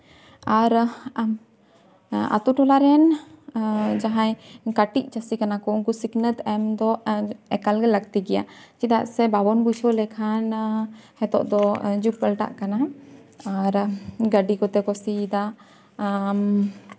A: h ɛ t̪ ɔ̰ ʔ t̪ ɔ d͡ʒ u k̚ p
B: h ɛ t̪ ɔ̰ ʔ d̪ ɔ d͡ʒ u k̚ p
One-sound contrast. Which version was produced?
B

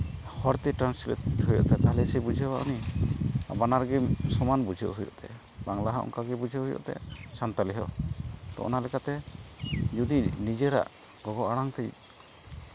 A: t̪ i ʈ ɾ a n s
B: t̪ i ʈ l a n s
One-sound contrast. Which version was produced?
A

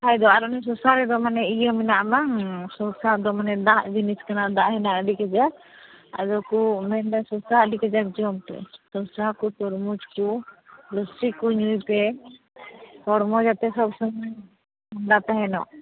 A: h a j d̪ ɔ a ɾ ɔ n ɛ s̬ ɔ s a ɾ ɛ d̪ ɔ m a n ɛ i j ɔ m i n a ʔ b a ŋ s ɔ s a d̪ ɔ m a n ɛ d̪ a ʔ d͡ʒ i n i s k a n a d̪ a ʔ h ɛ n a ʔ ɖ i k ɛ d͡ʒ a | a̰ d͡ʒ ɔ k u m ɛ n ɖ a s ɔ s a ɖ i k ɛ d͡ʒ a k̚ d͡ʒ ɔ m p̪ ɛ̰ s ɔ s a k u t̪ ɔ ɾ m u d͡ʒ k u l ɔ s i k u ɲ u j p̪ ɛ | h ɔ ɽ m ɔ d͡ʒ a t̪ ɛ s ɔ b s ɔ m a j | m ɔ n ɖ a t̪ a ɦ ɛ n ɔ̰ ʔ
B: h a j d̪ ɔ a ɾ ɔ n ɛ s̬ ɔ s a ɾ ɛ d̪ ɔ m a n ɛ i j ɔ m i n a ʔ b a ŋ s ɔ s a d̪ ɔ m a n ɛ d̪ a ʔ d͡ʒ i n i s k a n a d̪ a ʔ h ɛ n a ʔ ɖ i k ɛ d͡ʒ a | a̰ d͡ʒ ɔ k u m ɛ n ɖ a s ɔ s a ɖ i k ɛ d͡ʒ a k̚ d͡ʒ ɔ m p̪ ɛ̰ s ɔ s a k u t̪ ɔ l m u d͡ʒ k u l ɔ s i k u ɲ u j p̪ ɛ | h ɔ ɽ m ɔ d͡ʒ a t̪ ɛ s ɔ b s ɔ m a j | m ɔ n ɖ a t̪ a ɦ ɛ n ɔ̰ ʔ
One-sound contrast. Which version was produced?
A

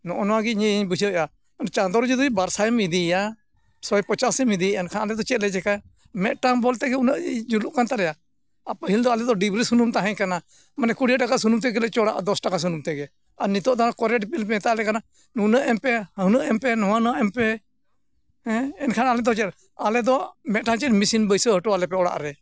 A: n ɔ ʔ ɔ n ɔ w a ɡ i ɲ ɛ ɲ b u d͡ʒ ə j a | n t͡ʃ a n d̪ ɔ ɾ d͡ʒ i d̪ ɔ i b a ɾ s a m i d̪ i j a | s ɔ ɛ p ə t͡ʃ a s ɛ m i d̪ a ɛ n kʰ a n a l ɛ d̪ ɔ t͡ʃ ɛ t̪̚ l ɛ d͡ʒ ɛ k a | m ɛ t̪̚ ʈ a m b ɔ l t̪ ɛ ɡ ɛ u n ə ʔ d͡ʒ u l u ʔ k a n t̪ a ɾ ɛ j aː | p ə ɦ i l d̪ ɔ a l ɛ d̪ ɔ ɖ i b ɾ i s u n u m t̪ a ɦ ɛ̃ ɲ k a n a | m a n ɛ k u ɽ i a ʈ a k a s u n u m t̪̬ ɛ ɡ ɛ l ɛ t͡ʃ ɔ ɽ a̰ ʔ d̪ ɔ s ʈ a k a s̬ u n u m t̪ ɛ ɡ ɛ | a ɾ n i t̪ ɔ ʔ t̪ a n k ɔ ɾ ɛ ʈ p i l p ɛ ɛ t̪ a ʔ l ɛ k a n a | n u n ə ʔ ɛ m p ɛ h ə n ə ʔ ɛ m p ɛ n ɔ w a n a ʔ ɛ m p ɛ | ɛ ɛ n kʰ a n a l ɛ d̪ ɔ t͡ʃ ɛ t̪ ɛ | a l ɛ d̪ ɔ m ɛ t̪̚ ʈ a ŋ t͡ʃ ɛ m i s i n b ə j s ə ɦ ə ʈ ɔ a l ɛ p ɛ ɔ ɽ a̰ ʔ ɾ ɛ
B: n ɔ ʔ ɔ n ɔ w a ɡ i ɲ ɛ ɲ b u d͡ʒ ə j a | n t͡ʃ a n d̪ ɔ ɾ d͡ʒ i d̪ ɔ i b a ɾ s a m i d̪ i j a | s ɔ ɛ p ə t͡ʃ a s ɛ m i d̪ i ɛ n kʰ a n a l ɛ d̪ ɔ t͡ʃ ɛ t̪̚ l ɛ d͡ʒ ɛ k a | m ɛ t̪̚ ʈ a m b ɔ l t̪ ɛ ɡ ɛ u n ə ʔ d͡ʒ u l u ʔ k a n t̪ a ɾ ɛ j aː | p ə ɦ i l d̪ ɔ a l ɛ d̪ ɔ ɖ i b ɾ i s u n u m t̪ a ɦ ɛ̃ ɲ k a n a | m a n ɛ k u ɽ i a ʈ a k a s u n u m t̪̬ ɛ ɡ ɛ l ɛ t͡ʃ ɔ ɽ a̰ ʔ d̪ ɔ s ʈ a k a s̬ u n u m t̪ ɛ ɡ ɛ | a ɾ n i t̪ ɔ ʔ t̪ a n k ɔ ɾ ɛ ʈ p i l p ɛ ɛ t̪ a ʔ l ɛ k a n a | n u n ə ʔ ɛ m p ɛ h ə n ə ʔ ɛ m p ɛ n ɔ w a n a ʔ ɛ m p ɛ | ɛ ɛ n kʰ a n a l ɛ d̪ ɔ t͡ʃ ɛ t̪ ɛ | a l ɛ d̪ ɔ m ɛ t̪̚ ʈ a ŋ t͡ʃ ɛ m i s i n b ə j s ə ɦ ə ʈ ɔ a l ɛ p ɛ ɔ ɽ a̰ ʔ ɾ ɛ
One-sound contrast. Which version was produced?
B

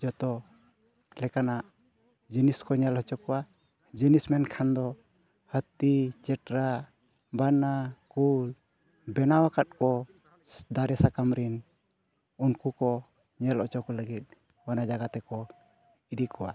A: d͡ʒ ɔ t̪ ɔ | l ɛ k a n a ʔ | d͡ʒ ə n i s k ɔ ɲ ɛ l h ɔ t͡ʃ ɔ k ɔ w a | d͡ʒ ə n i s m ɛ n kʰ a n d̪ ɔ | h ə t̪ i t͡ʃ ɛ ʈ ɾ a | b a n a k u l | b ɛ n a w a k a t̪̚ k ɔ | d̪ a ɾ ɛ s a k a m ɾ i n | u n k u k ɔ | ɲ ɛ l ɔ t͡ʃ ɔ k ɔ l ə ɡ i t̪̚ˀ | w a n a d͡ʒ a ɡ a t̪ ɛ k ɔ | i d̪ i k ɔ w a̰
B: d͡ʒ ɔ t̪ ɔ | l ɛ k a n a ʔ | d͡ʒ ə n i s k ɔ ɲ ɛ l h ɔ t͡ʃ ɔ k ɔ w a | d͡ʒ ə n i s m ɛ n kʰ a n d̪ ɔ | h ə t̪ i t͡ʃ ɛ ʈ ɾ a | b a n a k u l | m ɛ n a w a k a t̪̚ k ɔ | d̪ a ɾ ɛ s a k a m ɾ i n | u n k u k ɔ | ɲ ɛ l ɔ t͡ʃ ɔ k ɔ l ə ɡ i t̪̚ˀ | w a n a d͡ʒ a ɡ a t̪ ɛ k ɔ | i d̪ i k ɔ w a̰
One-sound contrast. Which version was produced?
A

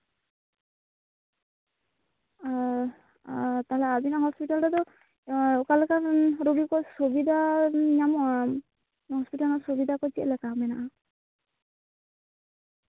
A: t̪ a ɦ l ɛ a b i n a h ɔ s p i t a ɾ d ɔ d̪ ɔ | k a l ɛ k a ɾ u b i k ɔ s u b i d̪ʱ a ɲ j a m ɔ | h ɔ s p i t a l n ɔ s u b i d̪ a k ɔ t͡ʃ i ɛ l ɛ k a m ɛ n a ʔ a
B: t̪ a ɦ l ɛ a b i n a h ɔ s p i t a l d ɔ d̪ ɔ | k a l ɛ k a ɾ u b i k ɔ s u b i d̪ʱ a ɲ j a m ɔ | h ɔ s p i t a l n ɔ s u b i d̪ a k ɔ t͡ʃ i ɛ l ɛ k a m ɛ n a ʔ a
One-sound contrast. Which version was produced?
B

